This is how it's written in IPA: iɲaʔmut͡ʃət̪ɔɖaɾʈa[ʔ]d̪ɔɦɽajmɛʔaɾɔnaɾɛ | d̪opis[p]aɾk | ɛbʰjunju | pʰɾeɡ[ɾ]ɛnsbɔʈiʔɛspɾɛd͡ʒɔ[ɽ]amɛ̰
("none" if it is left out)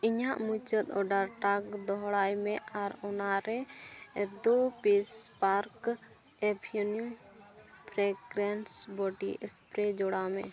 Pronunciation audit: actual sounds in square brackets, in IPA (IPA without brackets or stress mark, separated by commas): k, p, ɾ, ɽ